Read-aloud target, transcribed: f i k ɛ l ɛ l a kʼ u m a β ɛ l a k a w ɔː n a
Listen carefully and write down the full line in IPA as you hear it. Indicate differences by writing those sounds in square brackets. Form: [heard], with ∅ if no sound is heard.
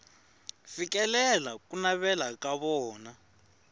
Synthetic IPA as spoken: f i k ɛ l ɛ l a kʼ u [n] a β ɛ l a k a [β] ɔː n a